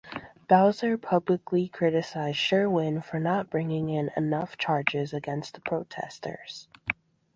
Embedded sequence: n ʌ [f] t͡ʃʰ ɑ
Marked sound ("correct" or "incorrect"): correct